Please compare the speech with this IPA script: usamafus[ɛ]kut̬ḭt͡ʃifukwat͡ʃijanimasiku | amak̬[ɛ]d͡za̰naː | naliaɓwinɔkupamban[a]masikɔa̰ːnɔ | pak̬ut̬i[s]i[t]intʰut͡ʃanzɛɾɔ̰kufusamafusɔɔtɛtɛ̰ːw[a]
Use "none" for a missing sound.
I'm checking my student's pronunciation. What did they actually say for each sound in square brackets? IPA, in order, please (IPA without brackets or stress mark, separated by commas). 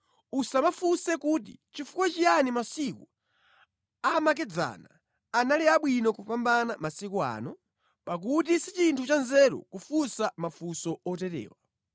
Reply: ɛ, ɛ, a, s, t͡ʃ, a